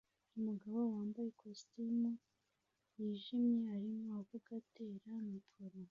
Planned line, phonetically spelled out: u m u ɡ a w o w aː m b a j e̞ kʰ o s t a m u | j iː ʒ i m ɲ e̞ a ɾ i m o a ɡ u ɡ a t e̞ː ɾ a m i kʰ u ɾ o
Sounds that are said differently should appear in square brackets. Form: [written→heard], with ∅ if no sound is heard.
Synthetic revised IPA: u m u ɡ a [w→β] o w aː m b a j e̞ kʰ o s t [a→i] m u | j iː ʒ i m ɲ e̞ a ɾ i m o a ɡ u ɡ a t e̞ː ɾ a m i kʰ [u→o] ɾ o